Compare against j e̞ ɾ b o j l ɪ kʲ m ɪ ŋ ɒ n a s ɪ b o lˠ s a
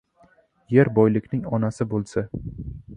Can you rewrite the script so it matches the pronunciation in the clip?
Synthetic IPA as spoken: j e̞ ɾ b ɒ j l ɪ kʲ n ɪ ŋ ɒ n a s ɪ b o lˠ s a